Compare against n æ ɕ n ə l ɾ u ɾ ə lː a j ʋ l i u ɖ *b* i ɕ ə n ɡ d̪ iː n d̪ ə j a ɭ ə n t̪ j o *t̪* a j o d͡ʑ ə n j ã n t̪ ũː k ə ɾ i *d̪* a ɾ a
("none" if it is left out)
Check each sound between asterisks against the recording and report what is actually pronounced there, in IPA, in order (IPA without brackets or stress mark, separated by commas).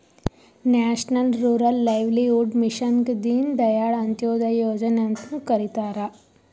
m, d̪, t̪